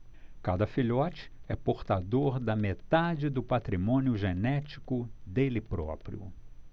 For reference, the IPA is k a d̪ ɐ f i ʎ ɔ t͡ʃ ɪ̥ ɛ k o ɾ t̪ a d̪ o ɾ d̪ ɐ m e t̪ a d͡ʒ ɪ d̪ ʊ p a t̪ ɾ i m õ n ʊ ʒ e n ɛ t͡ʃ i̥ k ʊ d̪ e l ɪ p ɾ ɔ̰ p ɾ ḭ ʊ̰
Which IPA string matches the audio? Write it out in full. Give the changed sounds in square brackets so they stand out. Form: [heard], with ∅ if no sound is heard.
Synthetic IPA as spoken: k a d̪ ɐ f i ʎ ɔ t͡ʃ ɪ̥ ɛ [p] o ɾ t̪ a d̪ o ɾ d̪ ɐ m e t̪ a d͡ʒ ɪ d̪ ʊ p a t̪ ɾ i m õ n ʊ ʒ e n ɛ t͡ʃ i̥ k ʊ d̪ e l ɪ p ɾ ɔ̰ p ɾ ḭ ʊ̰